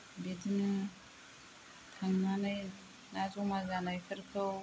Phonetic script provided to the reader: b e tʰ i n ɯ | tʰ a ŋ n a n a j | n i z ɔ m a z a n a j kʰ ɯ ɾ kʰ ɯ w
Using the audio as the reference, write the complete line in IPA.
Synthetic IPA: b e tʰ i n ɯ | tʰ a ŋ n a n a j | n a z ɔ m a z a n a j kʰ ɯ ɾ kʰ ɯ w